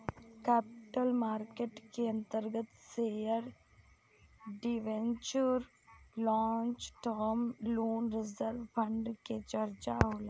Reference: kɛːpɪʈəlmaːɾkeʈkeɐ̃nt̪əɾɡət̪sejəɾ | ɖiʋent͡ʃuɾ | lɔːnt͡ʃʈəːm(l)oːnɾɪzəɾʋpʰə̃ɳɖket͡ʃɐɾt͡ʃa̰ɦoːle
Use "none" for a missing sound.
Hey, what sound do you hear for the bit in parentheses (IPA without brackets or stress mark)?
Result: l